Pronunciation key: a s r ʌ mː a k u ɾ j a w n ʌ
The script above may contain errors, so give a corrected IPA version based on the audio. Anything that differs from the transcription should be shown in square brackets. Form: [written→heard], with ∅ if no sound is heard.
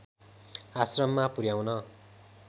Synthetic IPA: a s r ʌ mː a [k→p] u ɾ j a w n ʌ